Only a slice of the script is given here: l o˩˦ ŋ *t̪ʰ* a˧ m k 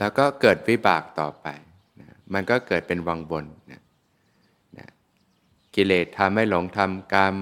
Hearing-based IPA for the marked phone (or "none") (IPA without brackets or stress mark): t̪ʰ